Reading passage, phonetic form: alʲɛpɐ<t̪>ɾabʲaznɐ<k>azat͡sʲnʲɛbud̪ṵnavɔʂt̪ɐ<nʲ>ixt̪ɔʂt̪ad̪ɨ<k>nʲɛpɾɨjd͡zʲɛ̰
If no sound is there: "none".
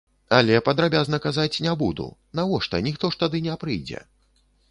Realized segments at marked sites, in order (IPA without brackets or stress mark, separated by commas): d̪, k, nʲ, none